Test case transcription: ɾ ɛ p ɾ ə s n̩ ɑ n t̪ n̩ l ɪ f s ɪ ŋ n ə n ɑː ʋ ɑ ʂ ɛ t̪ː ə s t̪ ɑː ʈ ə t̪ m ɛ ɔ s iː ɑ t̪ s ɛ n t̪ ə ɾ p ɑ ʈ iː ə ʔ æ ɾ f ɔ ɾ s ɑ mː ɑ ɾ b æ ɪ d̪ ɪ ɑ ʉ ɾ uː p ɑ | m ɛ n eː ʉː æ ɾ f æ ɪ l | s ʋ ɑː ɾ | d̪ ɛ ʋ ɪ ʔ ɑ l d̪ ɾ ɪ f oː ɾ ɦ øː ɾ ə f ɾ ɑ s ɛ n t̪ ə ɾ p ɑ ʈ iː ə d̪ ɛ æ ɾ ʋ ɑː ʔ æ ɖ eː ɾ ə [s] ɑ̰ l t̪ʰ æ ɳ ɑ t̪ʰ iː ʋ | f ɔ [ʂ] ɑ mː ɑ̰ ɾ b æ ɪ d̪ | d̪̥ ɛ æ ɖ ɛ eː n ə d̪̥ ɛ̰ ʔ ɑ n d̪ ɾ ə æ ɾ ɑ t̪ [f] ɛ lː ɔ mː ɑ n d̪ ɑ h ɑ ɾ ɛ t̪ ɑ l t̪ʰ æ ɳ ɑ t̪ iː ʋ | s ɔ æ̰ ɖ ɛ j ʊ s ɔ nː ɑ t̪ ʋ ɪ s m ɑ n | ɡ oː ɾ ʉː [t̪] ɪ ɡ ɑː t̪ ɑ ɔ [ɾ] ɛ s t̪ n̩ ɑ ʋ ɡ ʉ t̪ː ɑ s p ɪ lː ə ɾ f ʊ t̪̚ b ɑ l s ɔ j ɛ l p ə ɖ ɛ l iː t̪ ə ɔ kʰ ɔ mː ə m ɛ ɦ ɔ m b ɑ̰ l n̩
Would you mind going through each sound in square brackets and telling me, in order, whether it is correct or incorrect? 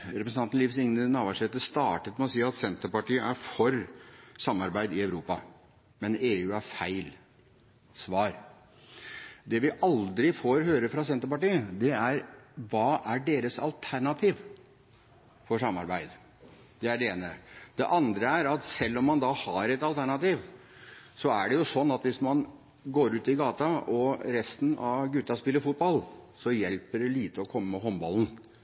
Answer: correct, correct, incorrect: s, correct, correct

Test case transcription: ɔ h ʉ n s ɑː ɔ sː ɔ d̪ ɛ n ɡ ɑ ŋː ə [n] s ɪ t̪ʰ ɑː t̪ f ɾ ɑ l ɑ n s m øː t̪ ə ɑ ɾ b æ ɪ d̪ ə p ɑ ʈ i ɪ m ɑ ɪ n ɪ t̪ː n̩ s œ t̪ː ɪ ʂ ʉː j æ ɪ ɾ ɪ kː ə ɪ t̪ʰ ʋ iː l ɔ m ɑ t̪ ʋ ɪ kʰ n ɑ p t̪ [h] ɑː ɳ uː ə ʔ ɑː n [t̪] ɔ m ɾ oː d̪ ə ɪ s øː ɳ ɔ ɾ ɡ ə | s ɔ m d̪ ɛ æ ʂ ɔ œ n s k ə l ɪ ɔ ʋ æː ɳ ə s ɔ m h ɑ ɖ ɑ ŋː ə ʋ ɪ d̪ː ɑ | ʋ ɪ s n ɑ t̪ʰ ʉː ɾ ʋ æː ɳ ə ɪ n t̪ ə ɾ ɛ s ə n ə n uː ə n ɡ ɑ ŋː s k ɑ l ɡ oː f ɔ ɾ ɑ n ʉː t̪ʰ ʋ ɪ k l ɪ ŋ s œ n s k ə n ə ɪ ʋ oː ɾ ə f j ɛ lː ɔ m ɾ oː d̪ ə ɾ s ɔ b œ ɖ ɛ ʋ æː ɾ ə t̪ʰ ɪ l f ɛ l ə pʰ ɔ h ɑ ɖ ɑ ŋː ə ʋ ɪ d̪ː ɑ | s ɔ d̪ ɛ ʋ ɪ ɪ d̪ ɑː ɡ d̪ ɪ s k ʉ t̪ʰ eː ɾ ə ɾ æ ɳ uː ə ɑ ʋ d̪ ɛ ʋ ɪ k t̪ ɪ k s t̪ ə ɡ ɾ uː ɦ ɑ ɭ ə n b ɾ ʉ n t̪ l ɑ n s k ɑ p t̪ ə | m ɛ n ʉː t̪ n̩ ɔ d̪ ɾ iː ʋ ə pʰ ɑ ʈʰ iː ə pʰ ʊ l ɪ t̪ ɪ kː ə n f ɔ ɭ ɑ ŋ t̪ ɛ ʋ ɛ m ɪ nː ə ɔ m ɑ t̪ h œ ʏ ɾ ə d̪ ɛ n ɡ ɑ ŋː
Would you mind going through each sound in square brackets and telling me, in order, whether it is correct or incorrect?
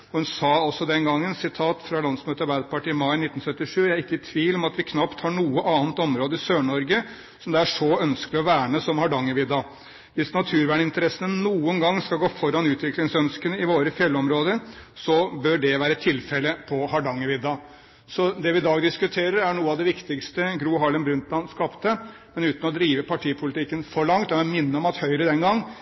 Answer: correct, correct, correct

